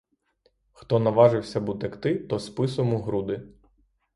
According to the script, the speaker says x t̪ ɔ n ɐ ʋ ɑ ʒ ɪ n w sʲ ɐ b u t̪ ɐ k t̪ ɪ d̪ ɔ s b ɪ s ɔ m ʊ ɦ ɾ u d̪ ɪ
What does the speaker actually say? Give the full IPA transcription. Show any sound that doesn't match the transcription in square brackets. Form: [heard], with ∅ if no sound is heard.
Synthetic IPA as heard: x t̪ ɔ n ɐ ʋ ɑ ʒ ɪ [∅] w sʲ ɐ b u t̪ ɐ k t̪ ɪ [t̪] ɔ s [p] ɪ s ɔ m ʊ ɦ ɾ u d̪ ɪ

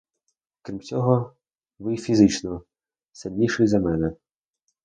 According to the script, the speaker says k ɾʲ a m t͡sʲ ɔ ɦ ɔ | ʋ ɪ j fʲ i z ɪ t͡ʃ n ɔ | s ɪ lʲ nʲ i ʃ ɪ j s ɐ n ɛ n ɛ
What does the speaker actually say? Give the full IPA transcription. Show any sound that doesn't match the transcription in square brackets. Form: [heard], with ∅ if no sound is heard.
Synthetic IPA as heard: k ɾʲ [i] m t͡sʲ ɔ ɦ ɔ | ʋ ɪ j fʲ i z ɪ t͡ʃ n ɔ | s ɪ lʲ nʲ i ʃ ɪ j [z] ɐ [m] ɛ n ɛ

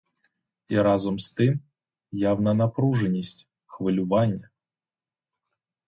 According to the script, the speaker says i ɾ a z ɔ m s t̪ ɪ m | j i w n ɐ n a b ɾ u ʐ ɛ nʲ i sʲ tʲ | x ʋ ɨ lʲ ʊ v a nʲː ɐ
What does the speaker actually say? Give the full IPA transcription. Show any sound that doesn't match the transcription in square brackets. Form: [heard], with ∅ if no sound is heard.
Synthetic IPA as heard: i ɾ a z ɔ m s t̪ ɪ m | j [a] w n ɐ n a [p] ɾ u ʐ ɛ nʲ i sʲ tʲ | x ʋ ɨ lʲ ʊ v a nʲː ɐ

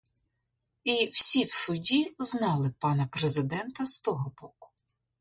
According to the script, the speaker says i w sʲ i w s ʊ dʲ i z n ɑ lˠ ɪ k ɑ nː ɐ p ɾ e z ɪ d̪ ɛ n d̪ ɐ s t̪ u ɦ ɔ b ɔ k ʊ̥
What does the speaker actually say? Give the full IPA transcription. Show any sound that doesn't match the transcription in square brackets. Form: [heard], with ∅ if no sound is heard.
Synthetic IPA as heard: i w sʲ i w s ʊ dʲ i z n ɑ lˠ ɪ [p] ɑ [n] ɐ p ɾ e z ɪ d̪ ɛ n [t̪] ɐ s t̪ [ɔ] ɦ ɔ b ɔ k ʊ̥

